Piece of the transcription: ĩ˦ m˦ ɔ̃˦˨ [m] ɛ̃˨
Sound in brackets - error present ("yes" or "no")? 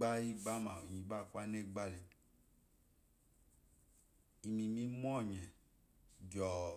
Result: yes